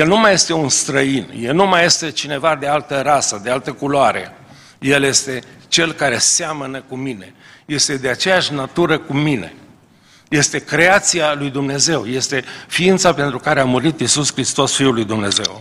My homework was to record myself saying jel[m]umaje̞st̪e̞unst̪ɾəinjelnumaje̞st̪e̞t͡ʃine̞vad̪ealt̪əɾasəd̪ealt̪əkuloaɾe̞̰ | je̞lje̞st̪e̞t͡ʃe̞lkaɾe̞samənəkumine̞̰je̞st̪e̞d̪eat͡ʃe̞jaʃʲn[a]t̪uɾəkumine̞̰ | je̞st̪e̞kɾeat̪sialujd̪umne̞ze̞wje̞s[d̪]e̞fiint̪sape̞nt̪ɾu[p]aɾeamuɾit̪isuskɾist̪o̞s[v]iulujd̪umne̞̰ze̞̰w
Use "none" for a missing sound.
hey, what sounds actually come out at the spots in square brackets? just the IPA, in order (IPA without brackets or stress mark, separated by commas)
n, a, t̪, k, f